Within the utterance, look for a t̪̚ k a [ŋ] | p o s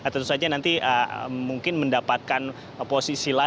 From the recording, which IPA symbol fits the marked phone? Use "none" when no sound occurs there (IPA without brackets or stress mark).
n